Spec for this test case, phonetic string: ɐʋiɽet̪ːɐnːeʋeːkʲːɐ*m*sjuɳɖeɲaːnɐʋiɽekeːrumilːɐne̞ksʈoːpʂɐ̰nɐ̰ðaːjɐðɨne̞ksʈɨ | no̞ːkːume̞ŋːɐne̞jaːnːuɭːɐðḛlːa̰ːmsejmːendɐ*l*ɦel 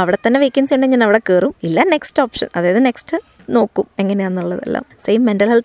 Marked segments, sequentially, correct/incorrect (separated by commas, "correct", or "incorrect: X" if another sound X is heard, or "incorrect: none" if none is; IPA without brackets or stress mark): incorrect: n, correct